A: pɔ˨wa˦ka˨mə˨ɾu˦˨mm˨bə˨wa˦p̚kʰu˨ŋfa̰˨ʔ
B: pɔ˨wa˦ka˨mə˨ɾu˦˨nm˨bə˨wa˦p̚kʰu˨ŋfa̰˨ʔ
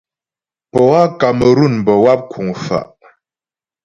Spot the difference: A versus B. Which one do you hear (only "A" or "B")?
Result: B